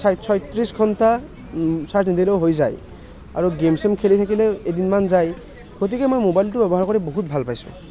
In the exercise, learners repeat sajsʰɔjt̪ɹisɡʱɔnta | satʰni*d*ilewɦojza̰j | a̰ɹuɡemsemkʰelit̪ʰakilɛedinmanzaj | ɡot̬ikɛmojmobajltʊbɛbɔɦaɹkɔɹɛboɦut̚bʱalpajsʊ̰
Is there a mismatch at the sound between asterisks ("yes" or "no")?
no